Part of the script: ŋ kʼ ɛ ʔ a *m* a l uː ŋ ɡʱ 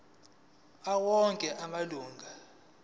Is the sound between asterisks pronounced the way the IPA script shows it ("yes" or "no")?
yes